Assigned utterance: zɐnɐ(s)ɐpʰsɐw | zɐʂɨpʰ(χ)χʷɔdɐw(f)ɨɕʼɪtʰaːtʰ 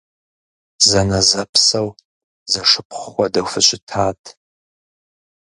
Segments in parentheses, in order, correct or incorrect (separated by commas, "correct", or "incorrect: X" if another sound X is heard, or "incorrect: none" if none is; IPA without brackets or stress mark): incorrect: z, correct, correct